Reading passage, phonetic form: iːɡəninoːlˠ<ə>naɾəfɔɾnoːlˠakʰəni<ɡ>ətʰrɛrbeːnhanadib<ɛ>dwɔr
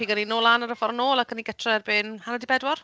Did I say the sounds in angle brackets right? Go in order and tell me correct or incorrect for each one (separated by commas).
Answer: incorrect, correct, correct